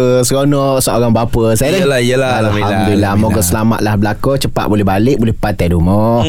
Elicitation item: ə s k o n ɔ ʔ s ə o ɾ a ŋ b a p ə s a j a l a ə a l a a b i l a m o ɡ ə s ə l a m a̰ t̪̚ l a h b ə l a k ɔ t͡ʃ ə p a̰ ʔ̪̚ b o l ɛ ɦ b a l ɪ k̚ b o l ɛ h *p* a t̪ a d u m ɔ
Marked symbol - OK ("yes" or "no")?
yes